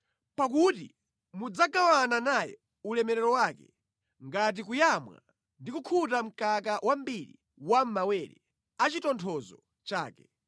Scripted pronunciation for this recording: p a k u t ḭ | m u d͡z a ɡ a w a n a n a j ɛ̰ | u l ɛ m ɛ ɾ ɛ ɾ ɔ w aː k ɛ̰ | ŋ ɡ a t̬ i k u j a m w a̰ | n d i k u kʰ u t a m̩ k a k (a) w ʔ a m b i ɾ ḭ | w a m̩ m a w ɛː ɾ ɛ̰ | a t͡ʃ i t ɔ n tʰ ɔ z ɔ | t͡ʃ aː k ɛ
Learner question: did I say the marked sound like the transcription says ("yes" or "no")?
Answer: yes